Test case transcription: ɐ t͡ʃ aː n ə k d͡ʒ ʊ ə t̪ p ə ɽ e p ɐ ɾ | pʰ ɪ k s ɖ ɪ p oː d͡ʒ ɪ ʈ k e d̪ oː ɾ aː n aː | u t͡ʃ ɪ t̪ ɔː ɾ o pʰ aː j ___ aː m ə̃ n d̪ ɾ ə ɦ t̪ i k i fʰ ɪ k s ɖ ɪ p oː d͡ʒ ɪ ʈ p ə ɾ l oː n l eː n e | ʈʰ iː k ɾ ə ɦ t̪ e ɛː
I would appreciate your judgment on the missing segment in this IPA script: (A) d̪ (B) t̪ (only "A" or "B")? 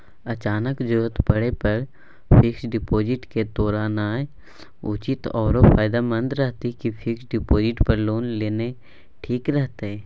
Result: A